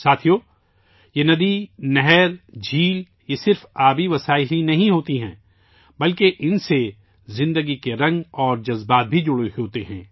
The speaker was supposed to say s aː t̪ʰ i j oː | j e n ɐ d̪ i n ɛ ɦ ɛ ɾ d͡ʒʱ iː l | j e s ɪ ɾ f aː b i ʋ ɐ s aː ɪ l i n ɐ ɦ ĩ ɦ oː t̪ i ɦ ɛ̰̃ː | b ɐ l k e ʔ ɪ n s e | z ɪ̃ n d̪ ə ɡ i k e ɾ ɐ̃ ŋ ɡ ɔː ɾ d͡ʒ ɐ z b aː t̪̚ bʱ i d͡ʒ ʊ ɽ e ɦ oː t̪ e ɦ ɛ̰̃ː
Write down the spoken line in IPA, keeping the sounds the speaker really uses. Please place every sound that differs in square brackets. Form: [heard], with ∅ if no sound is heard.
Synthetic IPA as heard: s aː t̪ʰ i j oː | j e n ɐ d̪ i n ɛ ɦ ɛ ɾ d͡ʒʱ iː l | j e s ɪ ɾ f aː b i ʋ ɐ s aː ɪ l i n ɐ ɦ ĩ ɦ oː t̪ i ɦ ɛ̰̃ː | b ɐ l k e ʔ ɪ n s e | z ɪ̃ n d̪ ə ɡ i k e ɾ ɐ̃ ŋ ɡ ɔː ɾ d͡ʒ ɐ z b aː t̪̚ bʱ i d͡ʒ ʊ ɽ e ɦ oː t̪ e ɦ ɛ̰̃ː

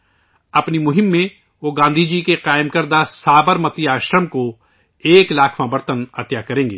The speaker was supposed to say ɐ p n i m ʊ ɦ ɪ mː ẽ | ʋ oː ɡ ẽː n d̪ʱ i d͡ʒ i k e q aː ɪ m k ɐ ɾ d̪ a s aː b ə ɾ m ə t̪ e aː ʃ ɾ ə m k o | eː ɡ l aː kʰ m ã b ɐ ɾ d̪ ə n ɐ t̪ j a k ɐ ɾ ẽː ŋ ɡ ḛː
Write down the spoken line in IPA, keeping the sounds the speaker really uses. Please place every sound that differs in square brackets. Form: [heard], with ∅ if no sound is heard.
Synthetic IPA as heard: ɐ p n i m ʊ ɦ ɪ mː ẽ | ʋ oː ɡ [ãː] n d̪ʱ i d͡ʒ i k e q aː ɪ m k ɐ ɾ d̪ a s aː b ə ɾ m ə t̪ [i] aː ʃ ɾ ə m k o | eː [k] l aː kʰ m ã b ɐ ɾ [t̪] ə n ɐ t̪ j a k ɐ ɾ ẽː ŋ ɡ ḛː

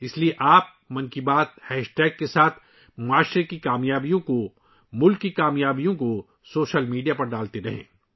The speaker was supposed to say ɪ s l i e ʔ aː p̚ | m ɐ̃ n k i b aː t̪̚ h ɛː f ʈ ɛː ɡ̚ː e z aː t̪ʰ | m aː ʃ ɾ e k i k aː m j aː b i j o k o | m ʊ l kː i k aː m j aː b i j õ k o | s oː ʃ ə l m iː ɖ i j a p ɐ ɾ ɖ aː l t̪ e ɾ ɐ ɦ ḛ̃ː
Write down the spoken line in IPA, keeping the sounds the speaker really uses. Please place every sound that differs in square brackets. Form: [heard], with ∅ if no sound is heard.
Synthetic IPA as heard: ɪ s l i e ʔ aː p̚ | m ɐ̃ n k i b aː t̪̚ h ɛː [ʃ] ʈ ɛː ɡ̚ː e [s] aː t̪ʰ | m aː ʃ ɾ e k i k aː m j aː b i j [õ] k o | m ʊ l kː i k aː m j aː b i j õ k o | s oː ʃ ə l m iː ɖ i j a p ɐ ɾ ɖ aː l t̪ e ɾ ɐ ɦ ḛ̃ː

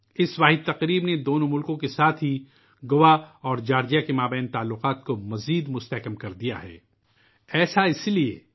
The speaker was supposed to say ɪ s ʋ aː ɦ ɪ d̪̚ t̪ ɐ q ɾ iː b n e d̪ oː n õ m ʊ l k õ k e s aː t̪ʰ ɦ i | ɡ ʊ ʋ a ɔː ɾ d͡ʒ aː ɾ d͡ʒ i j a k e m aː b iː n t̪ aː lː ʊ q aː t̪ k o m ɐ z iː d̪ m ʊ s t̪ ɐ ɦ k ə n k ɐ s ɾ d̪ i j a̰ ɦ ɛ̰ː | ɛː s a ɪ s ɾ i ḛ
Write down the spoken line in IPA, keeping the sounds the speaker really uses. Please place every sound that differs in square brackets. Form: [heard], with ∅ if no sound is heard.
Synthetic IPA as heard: ɪ s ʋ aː ɦ ɪ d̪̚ t̪ ɐ q ɾ iː b n e d̪ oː n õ m ʊ l k õ k e s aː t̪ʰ ɦ i | ɡ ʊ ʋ a ɔː ɾ d͡ʒ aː ɾ d͡ʒ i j a k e m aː b [ɛː] n t̪ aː lː ʊ q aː t̪ k o m ɐ z iː d̪ m ʊ s t̪ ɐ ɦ k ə [m] k ɐ [∅] ɾ d̪ i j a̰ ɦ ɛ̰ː | ɛː s a ɪ s [l] i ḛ

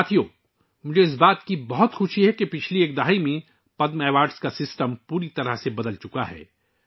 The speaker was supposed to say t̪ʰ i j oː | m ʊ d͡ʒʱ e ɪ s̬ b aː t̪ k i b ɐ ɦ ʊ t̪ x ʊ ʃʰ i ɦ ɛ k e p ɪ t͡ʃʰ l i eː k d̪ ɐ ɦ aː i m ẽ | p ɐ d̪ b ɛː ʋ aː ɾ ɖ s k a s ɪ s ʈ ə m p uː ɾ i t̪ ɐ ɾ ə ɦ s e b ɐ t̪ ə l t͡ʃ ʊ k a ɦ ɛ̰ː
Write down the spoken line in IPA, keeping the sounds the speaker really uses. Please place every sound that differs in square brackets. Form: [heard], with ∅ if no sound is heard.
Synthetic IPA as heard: t̪ʰ i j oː | m ʊ d͡ʒʱ e ɪ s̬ b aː t̪ k i b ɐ ɦ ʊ t̪ x ʊ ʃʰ i ɦ ɛ k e p ɪ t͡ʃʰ l i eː k d̪ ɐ ɦ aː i m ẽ | p ɐ d̪ [m] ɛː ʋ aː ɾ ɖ s k a s ɪ s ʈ ə m p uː ɾ i t̪ ɐ ɾ ə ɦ s e b ɐ [d̪] ə l t͡ʃ ʊ k a ɦ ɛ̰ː

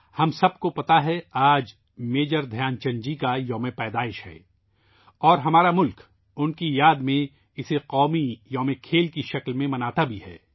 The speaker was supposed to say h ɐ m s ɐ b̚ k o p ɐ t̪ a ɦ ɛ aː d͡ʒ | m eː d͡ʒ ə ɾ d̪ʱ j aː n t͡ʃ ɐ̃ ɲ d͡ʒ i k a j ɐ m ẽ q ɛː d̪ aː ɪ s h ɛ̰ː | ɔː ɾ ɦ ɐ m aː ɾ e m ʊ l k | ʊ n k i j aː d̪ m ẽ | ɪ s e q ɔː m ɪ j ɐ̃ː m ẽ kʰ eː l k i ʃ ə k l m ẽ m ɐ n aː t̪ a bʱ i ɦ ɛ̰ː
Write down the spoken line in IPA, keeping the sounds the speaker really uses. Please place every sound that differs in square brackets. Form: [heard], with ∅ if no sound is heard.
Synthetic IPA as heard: h ɐ m s ɐ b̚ k o p ɐ t̪ a ɦ ɛ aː d͡ʒ | m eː d͡ʒ ə ɾ d̪ʱ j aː n t͡ʃ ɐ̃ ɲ d͡ʒ i k a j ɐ m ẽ [p] ɛː d̪ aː ɪ [ʃ] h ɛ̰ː | ɔː ɾ ɦ ɐ m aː ɾ [a] m ʊ l k | ʊ n k i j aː d̪ m ẽ | ɪ s e q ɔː m [i] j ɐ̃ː m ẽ kʰ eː l k i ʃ [ɐ] k l m ẽ m ɐ n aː t̪ a bʱ i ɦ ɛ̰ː

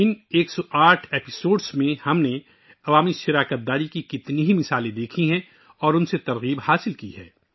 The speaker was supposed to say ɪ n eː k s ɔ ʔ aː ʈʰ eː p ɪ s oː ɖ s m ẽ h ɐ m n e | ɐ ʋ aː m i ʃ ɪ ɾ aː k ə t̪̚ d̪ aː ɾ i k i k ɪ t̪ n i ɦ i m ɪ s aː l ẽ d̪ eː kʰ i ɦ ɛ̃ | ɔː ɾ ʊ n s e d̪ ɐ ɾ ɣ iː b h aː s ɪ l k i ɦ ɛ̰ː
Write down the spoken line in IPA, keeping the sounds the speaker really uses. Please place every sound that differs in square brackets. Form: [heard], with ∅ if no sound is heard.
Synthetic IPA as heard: ɪ n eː k s ɔ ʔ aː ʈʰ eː p ɪ s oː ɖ s m ẽ h ɐ m n e | ɐ ʋ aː m i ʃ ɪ ɾ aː k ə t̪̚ d̪ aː ɾ i k i k ɪ t̪ n i ɦ i m ɪ s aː l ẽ d̪ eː kʰ i ɦ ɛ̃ | ɔː ɾ ʊ n s e [t̪] ɐ ɾ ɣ iː b h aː s ɪ l k i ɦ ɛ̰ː

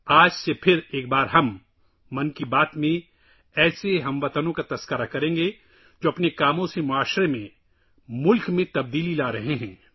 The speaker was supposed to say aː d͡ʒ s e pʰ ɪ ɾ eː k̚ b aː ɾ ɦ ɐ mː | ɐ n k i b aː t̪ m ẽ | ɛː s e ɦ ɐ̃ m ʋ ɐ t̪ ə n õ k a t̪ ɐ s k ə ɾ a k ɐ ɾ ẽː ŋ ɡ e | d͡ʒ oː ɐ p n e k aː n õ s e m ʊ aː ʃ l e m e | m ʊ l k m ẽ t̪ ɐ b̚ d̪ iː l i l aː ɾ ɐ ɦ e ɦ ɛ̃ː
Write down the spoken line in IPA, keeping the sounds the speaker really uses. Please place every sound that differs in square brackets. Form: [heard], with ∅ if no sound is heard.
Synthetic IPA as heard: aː d͡ʒ s e pʰ ɪ ɾ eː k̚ b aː ɾ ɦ ɐ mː | ɐ n k i b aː t̪ m ẽ | ɛː s e ɦ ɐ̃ m ʋ ɐ t̪ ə n õ k a t̪ ɐ s k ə ɾ a k ɐ ɾ ẽː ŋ ɡ e | d͡ʒ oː ɐ p n e k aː [m] õ s e m ʊ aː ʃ [ɾ] e m [ẽ] | m ʊ l k m ẽ t̪ ɐ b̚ d̪ iː l i l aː ɾ ɐ ɦ e ɦ ɛ̃ː

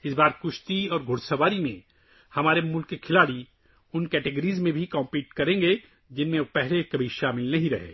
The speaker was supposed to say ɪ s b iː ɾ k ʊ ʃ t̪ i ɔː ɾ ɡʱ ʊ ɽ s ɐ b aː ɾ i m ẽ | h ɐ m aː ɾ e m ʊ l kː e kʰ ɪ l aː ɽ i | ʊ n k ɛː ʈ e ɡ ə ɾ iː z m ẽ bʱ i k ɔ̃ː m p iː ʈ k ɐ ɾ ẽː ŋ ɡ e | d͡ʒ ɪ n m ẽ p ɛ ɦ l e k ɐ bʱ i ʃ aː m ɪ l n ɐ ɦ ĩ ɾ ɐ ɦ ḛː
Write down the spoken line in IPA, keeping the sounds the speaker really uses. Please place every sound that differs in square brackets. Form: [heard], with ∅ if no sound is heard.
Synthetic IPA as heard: ɪ s b [aː] ɾ k ʊ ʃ t̪ i ɔː ɾ ɡʱ ʊ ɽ s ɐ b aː ɾ i m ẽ | h ɐ m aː ɾ e m ʊ l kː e kʰ ɪ l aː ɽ i | ʊ n k ɛː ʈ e ɡ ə ɾ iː z m ẽ bʱ i k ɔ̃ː m p iː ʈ k ɐ ɾ ẽː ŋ ɡ e | d͡ʒ ɪ n m ẽ p ɛ ɦ l e k ɐ bʱ i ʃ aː m ɪ l n ɐ ɦ ĩ ɾ ɐ ɦ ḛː

